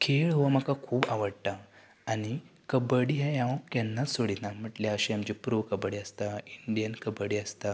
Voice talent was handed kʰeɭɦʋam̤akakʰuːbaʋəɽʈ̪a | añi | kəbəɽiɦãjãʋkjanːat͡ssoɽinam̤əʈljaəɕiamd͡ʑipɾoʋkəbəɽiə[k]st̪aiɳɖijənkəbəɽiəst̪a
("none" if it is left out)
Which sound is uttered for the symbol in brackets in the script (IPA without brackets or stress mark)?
none